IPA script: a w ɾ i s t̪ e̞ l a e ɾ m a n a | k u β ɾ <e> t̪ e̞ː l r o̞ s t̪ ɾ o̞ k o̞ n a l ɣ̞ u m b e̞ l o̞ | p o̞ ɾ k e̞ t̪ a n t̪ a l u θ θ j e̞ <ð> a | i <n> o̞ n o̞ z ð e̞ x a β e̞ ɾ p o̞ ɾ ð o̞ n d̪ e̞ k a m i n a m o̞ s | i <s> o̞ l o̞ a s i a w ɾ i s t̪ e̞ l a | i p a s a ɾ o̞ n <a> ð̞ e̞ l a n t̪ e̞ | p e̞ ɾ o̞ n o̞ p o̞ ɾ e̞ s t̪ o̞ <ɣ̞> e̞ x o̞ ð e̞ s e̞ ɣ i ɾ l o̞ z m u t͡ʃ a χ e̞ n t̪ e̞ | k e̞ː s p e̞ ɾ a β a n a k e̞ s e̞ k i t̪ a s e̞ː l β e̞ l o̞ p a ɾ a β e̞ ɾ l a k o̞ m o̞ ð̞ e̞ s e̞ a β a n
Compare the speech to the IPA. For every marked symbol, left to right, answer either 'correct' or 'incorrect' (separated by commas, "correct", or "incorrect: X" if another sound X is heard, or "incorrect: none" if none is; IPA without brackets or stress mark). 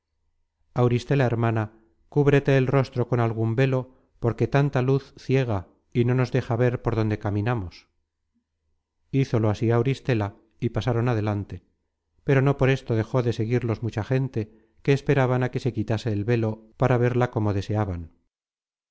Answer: correct, incorrect: ɣ, correct, incorrect: θ, correct, incorrect: ð̞